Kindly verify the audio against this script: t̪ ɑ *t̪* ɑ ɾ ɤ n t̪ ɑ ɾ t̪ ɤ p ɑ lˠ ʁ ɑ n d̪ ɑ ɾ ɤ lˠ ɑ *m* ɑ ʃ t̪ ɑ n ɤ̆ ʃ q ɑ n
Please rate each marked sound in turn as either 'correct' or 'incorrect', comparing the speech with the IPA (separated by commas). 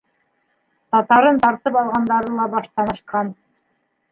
correct, incorrect